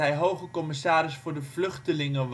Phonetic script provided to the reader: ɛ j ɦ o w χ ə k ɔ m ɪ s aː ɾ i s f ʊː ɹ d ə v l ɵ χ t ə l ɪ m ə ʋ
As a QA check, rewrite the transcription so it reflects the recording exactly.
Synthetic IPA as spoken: ɛ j ɦ o w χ ə k ɔ m ɪ s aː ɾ ɪ s f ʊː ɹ d ə v l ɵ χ t ə l ɪ ŋ ə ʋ